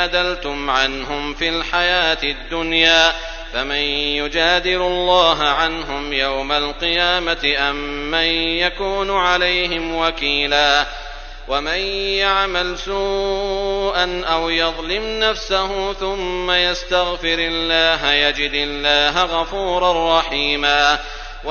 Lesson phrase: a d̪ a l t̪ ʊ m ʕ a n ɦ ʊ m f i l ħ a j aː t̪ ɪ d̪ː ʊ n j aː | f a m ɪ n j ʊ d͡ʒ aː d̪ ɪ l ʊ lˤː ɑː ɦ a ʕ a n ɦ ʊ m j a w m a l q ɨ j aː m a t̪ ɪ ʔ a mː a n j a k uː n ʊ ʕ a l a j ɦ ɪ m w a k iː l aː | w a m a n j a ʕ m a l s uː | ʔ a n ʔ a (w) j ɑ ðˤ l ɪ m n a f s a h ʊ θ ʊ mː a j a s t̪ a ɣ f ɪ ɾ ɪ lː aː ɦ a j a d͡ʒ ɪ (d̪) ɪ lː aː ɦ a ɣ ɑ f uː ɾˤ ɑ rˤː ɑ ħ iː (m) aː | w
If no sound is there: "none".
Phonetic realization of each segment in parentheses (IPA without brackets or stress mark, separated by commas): w, d̪, m